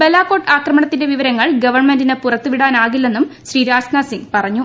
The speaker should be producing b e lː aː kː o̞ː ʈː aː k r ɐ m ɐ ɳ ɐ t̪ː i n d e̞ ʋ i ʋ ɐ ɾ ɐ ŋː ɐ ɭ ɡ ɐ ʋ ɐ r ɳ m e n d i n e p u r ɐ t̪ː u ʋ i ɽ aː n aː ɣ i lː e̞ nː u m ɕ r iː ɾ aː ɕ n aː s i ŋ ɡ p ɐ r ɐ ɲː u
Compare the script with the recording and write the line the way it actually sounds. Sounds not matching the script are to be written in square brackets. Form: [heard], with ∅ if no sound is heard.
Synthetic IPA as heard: b e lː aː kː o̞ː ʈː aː k r ɐ m ɐ ɳ ɐ t̪ː i n d e̞ ʋ i ʋ ɐ ɾ ɐ ŋː ɐ ɭ ɡ ɐ ʋ ɐ r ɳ m e n d i n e p u r ɐ t̪ː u ʋ i ɽ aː n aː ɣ i lː e̞ nː u m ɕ r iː ɾ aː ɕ n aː s i ŋ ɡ p ɐ r ɐ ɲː u